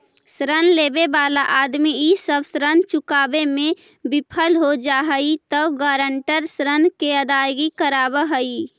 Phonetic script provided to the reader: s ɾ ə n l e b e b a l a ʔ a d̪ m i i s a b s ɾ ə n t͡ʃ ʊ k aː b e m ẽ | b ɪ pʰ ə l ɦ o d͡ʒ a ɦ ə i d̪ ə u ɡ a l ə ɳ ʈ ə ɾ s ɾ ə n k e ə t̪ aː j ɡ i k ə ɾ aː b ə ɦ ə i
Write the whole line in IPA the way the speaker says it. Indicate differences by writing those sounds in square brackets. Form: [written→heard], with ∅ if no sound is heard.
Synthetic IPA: s ɾ ə n l e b e b a l a ʔ a d̪ m i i s [a→ə] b s ɾ ə n t͡ʃ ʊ k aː b e m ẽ | b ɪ pʰ ə l ɦ o d͡ʒ a ɦ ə i [d̪→t̪] ə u ɡ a [l→ɾ] ə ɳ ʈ ə ɾ s ɾ ə n k e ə [t̪→d̪] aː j ɡ i k ə ɾ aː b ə ɦ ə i

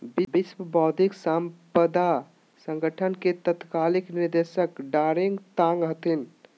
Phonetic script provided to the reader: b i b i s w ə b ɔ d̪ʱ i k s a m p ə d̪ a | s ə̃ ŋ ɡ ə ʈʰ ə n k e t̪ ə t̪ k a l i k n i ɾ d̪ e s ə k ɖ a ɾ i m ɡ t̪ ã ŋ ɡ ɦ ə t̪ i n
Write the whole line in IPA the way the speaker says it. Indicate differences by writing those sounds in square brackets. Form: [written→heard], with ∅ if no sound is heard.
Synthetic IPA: b i b i s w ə b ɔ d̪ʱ i k s a m p ə d̪ a | s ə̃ ŋ ɡ ə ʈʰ ə n k e t̪ ə t̪ k a l i k n i ɾ d̪ e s ə k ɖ a ɾ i [m→ŋ] ɡ t̪ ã ŋ ɡ ɦ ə t̪ i n

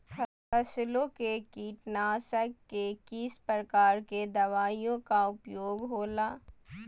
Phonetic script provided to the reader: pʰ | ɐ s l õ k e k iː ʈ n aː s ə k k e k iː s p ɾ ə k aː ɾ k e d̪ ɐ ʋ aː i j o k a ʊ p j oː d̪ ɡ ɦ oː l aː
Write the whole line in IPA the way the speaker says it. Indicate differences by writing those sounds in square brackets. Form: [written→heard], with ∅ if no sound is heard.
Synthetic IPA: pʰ | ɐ s l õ k e k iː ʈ n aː s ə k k e k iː s p ɾ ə k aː ɾ k e d̪ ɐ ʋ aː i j [o→õ] k a ʊ p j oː [d̪→∅] ɡ ɦ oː l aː

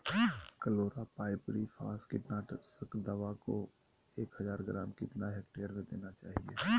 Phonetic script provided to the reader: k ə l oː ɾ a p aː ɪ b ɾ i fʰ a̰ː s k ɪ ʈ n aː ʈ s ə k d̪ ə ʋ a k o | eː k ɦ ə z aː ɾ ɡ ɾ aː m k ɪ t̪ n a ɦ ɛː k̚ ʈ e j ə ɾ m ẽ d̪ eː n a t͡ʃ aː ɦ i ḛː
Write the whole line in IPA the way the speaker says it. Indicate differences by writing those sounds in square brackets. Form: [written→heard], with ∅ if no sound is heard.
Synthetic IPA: k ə l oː ɾ a p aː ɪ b ɾ i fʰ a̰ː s k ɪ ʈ n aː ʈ s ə k d̪ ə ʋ a k o | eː k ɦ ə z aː ɾ ɡ ɾ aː m k ɪ t̪ n a ɦ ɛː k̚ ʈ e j ə ɾ m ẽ d̪ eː n a t͡ʃ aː ɦ i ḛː

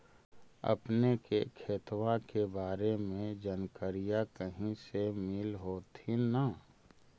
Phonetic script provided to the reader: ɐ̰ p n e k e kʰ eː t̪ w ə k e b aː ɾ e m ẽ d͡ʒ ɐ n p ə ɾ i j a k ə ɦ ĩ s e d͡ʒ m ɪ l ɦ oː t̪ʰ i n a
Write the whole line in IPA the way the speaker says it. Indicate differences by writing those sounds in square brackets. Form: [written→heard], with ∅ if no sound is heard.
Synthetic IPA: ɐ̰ p n e k e kʰ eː t̪ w [ə→a] k e b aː ɾ e m ẽ d͡ʒ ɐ n [p→k] ə ɾ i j a k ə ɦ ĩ s e [d͡ʒ→∅] m ɪ l ɦ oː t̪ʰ i n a

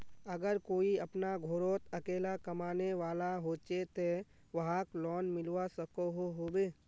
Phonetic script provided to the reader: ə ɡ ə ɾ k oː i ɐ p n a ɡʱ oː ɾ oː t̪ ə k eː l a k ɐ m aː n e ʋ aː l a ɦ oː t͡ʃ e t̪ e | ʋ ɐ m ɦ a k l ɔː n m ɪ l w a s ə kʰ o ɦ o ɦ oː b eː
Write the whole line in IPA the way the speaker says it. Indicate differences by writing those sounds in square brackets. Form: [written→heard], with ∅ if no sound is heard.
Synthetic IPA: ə ɡ ə ɾ k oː i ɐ p n a ɡʱ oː ɾ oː t̪ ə k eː l a k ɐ m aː n e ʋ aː l a ɦ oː t͡ʃ e t̪ e | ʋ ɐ [m→∅] ɦ a k l ɔː n m ɪ l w a s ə [kʰ→k] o ɦ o ɦ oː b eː

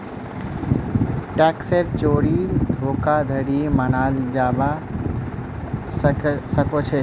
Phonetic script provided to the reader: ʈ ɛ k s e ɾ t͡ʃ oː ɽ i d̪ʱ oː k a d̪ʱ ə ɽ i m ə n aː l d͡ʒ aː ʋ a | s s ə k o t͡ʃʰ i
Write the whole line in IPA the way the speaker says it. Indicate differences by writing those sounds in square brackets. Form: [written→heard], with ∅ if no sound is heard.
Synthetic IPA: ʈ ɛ k s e ɾ t͡ʃ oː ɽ i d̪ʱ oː k a d̪ʱ ə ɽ i m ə n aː l d͡ʒ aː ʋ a | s s ə k o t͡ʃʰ [i→e]

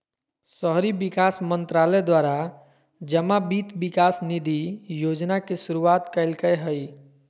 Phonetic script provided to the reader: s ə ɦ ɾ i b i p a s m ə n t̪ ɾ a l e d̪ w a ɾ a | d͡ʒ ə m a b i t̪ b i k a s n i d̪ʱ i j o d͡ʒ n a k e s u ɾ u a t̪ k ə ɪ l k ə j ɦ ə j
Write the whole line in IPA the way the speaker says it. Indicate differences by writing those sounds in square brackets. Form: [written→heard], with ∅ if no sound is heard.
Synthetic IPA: s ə ɦ ɾ i b i [p→k] a s m ə n t̪ ɾ a l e d̪ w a ɾ a | d͡ʒ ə m a b i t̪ b i k a s n i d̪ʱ i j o d͡ʒ n a k e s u ɾ u a t̪ k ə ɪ l k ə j ɦ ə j

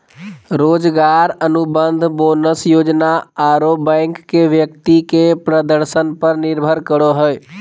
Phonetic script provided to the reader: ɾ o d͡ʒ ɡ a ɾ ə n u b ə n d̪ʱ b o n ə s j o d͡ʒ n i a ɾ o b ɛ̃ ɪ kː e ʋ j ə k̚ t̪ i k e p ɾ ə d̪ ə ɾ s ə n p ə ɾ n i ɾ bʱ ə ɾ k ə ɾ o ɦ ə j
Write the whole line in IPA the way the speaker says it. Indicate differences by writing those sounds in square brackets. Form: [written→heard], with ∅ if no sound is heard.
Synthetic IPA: ɾ o d͡ʒ ɡ a ɾ ə n u b ə n d̪ʱ b o n ə s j o d͡ʒ n [i→a] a ɾ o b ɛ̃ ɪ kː e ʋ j ə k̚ t̪ i k e p ɾ ə d̪ ə ɾ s ə n p ə ɾ n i ɾ bʱ ə ɾ k ə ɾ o ɦ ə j

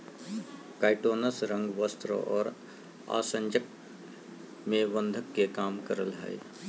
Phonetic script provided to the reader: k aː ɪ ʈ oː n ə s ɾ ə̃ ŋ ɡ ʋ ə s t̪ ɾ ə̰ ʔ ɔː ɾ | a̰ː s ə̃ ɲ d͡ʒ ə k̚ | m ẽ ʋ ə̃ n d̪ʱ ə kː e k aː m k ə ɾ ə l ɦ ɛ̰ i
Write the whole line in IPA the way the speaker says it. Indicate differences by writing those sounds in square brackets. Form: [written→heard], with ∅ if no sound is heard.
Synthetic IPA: k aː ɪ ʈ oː n ə s ɾ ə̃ ŋ ɡ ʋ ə s t̪ ɾ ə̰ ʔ ɔː ɾ | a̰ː s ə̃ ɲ d͡ʒ ə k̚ | m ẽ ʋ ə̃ n d̪ʱ ə kː e k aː m k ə ɾ ə l ɦ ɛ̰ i

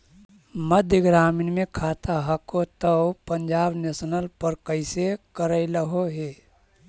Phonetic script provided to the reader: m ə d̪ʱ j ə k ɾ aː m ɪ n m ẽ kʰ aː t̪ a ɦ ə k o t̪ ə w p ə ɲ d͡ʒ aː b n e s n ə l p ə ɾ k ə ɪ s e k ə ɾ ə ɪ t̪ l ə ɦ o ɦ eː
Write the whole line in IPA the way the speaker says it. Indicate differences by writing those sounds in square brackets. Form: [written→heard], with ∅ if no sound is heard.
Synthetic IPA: m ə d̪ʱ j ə [k→ɡ] ɾ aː m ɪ n m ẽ kʰ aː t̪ a ɦ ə k o t̪ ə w p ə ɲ d͡ʒ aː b n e s n ə l p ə ɾ k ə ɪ s e k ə ɾ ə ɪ [t̪→∅] l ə ɦ o ɦ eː

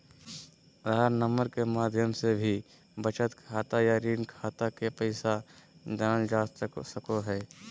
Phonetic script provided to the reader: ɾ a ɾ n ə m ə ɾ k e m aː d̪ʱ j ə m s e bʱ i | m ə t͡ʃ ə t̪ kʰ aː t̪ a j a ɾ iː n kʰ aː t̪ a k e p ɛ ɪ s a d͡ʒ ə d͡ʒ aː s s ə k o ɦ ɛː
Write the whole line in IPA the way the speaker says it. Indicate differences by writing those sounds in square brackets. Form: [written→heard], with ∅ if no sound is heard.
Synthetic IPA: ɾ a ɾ n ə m ə ɾ k e m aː d̪ʱ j ə m s e bʱ i | [m→b] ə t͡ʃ ə t̪ kʰ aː t̪ a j a ɾ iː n kʰ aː t̪ a k e p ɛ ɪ s a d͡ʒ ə d͡ʒ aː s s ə k o ɦ ɛː

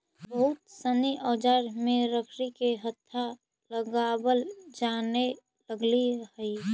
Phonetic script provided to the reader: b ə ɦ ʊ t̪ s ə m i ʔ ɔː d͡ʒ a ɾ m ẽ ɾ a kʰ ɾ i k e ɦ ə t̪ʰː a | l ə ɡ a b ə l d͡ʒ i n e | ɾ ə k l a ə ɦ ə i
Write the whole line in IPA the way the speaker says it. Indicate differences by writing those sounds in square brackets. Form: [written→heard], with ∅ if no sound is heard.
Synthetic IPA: b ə ɦ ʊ t̪ s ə [m→n] i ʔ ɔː d͡ʒ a ɾ m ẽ ɾ [a→ə] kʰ ɾ i k e ɦ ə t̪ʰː a | l ə ɡ a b ə l d͡ʒ [i→a] n e | [ɾ→l] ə [k→ɡ] l [a→i] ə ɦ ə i

